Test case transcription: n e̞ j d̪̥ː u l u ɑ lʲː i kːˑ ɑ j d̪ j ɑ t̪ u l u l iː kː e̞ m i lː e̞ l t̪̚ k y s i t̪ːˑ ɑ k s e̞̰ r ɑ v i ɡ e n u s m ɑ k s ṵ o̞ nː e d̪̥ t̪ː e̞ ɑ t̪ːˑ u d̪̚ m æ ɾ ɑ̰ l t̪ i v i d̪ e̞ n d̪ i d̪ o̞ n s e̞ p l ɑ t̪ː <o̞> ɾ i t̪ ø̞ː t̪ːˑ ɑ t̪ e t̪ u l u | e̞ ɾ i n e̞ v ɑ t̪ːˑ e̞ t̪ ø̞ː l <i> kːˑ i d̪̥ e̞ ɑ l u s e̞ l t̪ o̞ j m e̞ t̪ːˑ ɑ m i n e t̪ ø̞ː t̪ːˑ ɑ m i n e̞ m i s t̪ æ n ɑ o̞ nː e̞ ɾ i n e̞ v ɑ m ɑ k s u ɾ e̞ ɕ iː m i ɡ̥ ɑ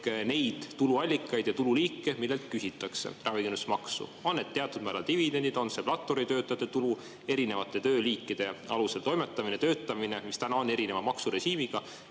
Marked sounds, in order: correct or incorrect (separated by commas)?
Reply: correct, incorrect